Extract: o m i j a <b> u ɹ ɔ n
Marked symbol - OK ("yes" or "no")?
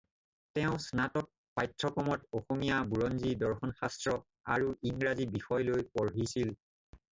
yes